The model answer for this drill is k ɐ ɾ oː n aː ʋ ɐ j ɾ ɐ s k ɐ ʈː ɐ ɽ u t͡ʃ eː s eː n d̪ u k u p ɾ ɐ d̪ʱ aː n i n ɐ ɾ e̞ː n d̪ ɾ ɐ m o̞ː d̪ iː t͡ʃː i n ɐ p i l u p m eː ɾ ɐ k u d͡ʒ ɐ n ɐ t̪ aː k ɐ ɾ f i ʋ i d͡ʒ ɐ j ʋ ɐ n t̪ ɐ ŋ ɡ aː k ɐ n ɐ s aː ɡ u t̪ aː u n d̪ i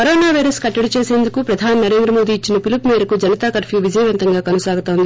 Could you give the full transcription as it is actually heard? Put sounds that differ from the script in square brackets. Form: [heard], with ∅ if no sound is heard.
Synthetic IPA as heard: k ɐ ɾ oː n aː ʋ ɐ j ɾ ɐ s k ɐ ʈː ɐ ɽ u t͡ʃ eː s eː n d̪ u k u p ɾ ɐ d̪ʱ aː n i n ɐ ɾ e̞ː n d̪ ɾ ɐ m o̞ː d̪ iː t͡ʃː i n ɐ p i l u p m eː ɾ ɐ k u d͡ʒ ɐ n ɐ t̪ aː k ɐ ɾ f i ʋ i d͡ʒ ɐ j ʋ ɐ n t̪ ɐ ŋ ɡ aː k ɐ n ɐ s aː ɡ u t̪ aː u n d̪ i